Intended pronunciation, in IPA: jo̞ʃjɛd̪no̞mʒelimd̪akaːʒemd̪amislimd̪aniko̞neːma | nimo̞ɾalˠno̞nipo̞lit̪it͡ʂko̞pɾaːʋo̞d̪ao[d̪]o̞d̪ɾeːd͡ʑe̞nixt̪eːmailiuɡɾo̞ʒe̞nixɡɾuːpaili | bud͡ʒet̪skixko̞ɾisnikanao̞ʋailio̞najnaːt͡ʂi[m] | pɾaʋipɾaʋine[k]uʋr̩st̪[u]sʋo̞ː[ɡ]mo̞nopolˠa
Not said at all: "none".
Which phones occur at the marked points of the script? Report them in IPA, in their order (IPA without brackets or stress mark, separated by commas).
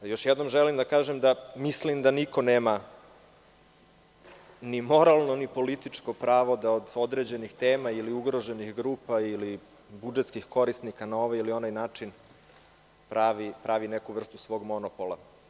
d̪, n, k, u, ɡ